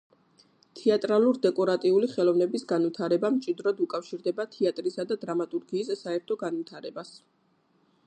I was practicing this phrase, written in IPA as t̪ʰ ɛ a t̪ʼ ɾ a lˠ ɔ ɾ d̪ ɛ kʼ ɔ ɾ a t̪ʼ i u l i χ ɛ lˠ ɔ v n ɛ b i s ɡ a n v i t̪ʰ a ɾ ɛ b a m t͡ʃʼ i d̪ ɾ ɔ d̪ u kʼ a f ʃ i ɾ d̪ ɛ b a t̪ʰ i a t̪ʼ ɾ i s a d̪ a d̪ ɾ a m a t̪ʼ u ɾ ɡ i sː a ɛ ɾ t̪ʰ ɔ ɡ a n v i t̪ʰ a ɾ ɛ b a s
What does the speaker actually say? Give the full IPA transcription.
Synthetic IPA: t̪ʰ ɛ a t̪ʼ ɾ a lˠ u ɾ d̪ ɛ kʼ ɔ ɾ a t̪ʼ i u l i χ ɛ lˠ ɔ v n ɛ b i s ɡ a n v i t̪ʰ a ɾ ɛ b a m t͡ʃʼ i d̪ ɾ ɔ d̪ u kʼ a f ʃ i ɾ d̪ ɛ b a t̪ʰ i a t̪ʼ ɾ i s a d̪ a d̪ ɾ a m a t̪ʼ u ɾ ɡ iː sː a ɛ ɾ t̪ʰ ɔ ɡ a n v i t̪ʰ a ɾ ɛ b a s